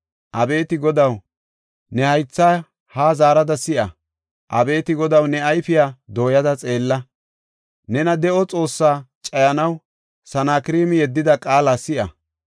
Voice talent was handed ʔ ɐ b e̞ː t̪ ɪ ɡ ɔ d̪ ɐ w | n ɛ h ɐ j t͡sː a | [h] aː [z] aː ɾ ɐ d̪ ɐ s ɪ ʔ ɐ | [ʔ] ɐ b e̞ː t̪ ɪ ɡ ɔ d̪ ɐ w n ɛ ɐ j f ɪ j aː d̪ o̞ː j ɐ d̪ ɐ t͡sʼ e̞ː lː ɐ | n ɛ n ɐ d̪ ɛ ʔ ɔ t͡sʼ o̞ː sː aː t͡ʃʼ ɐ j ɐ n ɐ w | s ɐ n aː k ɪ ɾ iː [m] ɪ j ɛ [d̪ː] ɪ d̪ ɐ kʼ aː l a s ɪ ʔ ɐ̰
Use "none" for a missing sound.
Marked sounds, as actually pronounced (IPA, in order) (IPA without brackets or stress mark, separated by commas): h, z, ʔ, m, d̪ː